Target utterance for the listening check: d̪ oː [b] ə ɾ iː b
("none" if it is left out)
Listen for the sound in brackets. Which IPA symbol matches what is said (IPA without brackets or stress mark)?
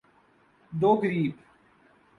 ɡ